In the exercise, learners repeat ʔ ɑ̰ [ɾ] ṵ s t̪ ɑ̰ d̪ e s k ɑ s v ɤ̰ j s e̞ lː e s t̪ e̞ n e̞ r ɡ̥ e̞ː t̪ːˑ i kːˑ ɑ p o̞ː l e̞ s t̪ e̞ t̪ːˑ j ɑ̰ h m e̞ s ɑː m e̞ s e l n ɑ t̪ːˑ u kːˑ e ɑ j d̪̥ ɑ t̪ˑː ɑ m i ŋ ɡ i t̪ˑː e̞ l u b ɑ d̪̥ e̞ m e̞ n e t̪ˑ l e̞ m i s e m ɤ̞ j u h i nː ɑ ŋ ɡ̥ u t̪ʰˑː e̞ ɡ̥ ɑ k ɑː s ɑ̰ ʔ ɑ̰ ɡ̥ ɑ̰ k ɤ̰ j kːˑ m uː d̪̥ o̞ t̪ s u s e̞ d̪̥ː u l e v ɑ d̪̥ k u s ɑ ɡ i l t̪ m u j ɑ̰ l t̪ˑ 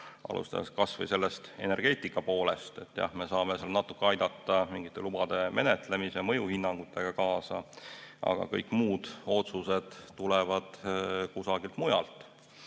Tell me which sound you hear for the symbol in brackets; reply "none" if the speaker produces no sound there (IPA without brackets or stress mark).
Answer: l